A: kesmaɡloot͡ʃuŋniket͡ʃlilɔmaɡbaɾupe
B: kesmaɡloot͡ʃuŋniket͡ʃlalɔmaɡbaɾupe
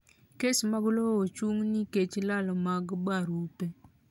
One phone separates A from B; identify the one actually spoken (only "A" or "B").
B